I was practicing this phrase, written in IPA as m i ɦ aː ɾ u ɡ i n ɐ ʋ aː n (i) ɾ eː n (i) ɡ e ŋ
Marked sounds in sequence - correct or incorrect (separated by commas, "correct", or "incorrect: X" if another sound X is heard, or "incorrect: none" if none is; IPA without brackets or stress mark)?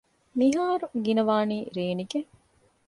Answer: incorrect: iː, correct